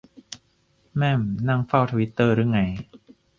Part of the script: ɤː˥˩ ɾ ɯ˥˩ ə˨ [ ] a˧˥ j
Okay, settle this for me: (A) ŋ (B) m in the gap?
A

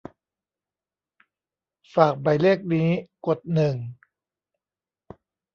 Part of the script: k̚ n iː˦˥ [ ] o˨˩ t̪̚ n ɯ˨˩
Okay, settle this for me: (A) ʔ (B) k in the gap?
B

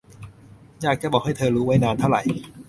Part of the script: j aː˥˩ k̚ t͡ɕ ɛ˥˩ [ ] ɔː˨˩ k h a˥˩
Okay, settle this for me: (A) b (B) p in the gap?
A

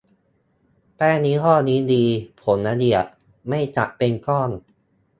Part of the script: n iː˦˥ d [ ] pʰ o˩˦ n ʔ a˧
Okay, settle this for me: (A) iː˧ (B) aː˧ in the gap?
A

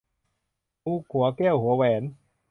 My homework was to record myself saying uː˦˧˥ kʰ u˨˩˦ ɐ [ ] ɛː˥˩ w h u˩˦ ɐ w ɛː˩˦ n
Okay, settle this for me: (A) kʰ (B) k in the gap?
B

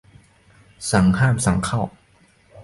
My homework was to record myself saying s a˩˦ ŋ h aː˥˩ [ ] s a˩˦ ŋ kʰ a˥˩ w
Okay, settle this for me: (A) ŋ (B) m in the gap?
B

